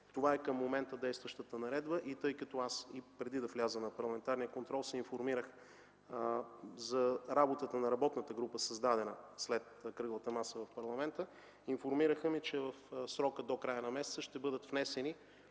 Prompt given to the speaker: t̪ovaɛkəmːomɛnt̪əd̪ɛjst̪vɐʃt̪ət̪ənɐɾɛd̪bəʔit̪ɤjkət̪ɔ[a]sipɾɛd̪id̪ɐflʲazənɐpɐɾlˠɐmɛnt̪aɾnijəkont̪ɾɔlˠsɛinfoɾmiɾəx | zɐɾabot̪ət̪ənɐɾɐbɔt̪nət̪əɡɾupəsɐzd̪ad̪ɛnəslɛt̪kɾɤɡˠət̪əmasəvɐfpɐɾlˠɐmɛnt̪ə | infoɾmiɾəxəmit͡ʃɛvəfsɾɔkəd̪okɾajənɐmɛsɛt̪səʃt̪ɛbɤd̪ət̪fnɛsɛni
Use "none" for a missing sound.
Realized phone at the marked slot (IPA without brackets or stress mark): a